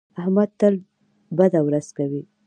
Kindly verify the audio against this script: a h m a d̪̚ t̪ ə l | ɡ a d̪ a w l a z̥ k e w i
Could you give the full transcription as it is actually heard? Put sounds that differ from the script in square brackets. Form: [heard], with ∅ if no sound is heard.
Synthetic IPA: a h m a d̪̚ t̪ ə l | [b] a d̪ a w [ɾ] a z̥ k [a] w i